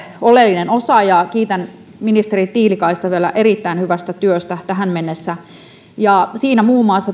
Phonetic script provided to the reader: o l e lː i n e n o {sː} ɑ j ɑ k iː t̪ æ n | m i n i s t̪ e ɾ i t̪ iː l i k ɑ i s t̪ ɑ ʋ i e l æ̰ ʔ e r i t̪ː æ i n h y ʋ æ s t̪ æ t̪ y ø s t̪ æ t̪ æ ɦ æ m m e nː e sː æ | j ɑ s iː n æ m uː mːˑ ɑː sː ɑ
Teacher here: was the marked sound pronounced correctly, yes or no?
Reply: no